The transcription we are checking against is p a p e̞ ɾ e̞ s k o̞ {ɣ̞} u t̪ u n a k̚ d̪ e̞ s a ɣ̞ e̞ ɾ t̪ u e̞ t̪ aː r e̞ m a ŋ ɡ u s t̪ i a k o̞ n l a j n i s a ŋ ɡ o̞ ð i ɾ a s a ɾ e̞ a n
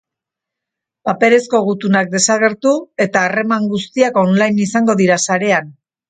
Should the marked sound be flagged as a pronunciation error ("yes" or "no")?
no